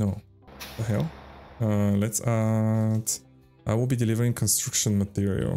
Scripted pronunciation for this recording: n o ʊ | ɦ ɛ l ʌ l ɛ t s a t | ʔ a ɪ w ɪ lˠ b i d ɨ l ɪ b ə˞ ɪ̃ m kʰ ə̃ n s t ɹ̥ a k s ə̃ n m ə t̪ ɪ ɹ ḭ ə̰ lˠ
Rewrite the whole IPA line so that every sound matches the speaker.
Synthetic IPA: n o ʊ | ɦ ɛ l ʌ l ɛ t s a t | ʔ a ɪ w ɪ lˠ b i d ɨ l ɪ v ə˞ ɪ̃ ŋ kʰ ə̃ n s t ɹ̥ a k ʃ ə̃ n m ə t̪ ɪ ɹ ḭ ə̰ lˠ